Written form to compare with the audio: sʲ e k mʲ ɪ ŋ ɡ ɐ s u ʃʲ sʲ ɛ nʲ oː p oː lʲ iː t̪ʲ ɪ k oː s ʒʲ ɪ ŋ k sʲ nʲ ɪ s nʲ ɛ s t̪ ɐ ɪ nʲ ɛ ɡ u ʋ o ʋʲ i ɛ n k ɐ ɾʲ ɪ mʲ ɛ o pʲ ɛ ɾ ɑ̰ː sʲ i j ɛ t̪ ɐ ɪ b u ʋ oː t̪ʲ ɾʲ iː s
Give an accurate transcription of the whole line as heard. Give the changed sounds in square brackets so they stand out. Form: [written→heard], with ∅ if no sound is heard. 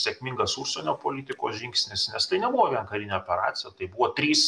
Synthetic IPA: sʲ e k mʲ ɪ ŋ ɡ ɐ s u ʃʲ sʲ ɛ nʲ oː p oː lʲ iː t̪ʲ ɪ k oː s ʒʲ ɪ ŋ k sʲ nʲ ɪ s nʲ ɛ s t̪ ɐ ɪ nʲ ɛ [ɡ→b] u ʋ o ʋʲ i ɛ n k ɐ ɾʲ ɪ [mʲ→nʲ] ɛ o pʲ ɛ ɾ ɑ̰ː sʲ [i→ɪ] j ɛ t̪ ɐ ɪ b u ʋ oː t̪ʲ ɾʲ iː s